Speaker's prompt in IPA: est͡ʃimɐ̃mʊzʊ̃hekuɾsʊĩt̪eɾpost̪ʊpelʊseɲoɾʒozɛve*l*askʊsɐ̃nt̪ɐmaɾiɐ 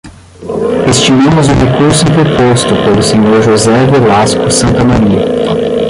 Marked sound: correct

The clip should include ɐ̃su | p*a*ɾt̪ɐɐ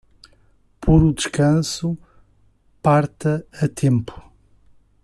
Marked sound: correct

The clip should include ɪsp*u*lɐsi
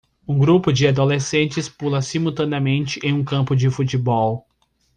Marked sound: correct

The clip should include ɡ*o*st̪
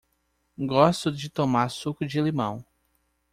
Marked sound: incorrect: ɔ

